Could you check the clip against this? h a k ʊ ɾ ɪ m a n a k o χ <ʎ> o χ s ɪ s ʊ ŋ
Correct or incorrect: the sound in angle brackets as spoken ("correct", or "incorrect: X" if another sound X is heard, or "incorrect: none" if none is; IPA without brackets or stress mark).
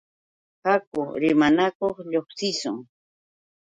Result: correct